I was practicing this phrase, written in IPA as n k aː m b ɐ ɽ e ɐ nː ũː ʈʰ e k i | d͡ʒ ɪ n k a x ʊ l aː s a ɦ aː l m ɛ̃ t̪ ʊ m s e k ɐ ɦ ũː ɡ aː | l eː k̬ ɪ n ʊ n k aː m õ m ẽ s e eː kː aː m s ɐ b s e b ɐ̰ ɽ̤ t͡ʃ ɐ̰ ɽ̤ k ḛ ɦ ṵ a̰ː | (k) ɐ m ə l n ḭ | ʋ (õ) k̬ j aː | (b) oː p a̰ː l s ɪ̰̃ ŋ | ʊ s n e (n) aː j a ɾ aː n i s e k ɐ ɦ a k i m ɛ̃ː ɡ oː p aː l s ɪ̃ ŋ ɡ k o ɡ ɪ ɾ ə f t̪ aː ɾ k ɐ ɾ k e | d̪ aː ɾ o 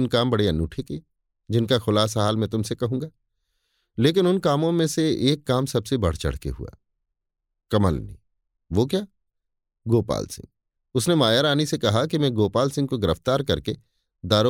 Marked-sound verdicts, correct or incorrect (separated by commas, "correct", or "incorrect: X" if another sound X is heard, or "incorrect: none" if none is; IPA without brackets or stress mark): correct, incorrect: o, incorrect: ɡ, incorrect: m